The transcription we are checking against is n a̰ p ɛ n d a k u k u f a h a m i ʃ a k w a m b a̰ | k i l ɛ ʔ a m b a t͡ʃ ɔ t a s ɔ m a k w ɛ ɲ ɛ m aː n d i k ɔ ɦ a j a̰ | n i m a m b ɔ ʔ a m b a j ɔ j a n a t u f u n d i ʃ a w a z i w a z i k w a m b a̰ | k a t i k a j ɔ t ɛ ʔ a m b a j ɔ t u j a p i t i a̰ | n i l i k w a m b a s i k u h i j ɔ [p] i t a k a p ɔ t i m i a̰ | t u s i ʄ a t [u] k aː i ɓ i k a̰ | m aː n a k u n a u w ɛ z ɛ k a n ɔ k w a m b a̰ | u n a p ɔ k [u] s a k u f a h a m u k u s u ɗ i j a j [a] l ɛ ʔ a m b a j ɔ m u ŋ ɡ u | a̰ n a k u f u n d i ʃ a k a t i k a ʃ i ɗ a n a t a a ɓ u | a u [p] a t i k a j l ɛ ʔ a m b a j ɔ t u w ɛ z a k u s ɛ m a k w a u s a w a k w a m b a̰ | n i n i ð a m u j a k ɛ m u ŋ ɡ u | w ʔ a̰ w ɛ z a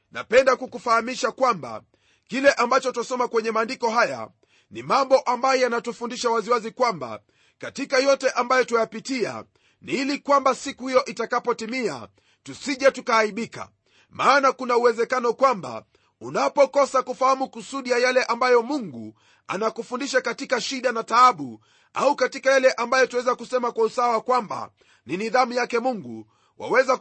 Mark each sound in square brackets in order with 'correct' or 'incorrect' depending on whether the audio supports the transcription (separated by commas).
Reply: incorrect, correct, incorrect, correct, incorrect